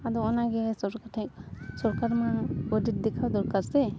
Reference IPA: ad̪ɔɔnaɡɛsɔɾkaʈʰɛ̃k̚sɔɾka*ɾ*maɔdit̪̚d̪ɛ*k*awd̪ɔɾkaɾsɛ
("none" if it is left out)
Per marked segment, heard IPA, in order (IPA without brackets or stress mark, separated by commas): ɾ, kʰ